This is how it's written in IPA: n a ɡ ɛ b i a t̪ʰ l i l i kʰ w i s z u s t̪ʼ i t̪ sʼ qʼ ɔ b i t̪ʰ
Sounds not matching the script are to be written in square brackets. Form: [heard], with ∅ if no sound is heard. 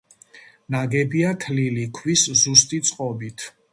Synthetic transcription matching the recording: n a ɡ ɛ b i a t̪ʰ l i l i kʰ w i s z u s t̪ʼ i t̪ sʼ qʼ ɔ b i t̪ʰ